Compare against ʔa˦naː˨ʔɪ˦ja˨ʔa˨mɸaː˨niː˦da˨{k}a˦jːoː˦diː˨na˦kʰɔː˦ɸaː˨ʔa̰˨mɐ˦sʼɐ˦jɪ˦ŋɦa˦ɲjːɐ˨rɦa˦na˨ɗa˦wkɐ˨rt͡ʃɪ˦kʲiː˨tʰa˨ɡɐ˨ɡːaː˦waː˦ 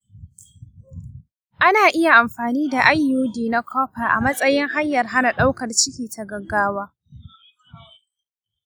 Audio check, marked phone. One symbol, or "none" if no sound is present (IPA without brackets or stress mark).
ʔ